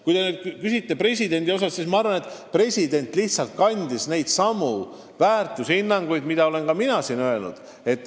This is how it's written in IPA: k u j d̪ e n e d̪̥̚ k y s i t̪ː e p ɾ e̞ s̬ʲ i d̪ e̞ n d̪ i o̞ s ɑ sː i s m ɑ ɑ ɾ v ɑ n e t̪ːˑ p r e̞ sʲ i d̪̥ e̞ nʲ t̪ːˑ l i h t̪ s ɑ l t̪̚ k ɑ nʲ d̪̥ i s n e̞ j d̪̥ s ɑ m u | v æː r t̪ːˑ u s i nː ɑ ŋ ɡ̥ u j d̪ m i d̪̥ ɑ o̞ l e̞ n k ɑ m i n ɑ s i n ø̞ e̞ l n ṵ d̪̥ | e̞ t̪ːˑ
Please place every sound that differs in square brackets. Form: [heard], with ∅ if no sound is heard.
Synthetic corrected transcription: k u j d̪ e n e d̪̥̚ k y s i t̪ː e p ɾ e̞ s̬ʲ i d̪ e̞ n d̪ i o̞ s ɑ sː i s m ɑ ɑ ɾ v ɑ n e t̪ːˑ p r e̞ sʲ i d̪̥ e̞ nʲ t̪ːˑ l i h t̪ s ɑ l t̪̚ k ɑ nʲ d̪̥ i s n e̞ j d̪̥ s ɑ m u | v æː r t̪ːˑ u s i nː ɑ ŋ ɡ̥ u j d̪ m i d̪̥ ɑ o̞ l e̞ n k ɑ m i n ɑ s i n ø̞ e̞ l n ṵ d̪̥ | e̞ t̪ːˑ